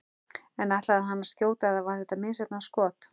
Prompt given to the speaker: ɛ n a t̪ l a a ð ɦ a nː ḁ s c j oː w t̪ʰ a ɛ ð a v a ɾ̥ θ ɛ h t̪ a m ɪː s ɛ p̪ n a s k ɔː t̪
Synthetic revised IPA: ɛ n a t̪ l a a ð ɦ a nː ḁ s c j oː w t̪ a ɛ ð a v a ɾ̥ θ ɛ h t̪ a m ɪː s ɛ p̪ n a s k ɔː t̪